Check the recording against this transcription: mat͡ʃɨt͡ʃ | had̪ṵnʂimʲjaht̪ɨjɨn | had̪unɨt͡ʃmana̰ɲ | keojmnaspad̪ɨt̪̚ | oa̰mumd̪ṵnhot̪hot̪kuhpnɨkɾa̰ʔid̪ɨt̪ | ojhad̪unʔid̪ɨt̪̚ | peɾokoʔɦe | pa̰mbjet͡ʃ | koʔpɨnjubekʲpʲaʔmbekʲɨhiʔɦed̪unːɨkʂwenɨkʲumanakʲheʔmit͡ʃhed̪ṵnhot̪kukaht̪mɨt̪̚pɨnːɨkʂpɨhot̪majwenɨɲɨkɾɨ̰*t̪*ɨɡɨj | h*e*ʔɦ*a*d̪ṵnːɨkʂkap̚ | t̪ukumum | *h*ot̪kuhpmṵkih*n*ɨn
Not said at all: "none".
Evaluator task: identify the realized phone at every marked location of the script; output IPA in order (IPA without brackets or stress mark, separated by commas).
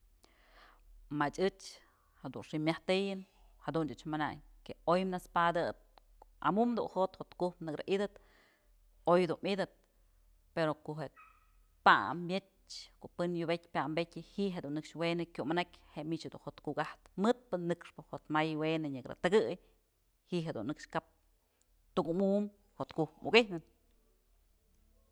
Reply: t̪, i, e, h, n